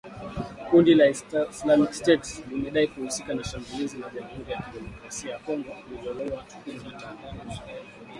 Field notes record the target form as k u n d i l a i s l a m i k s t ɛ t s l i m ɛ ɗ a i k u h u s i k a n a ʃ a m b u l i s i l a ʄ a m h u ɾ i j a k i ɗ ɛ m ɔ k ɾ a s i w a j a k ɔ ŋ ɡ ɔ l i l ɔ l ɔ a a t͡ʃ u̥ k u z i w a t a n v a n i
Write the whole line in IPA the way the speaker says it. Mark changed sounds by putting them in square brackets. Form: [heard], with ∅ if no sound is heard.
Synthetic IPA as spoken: k u n d i l a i s l a m i k s t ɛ t s l i m ɛ ɗ a i k u h u s i k a n a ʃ a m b u l i [z] i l a ʄ a m h u ɾ i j a k i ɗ ɛ m ɔ k ɾ a s i [∅] a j a k ɔ ŋ ɡ ɔ l i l ɔ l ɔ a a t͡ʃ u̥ k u z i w a t a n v a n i